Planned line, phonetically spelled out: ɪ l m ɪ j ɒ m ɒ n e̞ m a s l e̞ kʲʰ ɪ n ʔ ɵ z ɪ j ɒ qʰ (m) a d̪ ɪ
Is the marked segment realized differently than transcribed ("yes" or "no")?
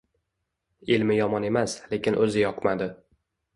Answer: no